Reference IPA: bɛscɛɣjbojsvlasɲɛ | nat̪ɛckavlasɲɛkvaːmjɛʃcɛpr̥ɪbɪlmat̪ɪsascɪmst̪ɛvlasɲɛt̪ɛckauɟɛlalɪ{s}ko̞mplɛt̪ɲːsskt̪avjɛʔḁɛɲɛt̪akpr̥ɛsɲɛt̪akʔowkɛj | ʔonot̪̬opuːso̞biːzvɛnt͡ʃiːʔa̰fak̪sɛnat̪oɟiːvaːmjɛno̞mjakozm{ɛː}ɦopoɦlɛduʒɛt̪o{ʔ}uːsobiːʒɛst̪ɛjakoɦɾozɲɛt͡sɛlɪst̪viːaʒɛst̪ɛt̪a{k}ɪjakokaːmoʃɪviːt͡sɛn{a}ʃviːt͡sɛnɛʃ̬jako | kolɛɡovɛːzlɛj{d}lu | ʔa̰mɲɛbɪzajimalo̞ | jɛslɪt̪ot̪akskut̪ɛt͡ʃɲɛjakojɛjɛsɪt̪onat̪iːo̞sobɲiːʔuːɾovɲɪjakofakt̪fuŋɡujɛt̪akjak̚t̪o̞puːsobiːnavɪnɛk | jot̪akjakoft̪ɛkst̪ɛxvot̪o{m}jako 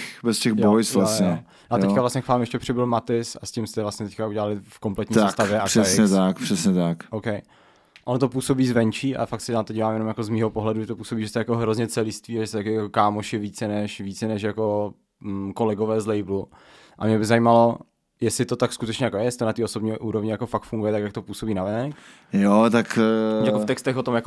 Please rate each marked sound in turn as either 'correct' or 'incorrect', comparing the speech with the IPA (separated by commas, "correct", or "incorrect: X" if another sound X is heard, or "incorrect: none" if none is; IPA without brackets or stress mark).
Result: incorrect: f, incorrect: iː, incorrect: p, correct, incorrect: ɛ, incorrect: b, correct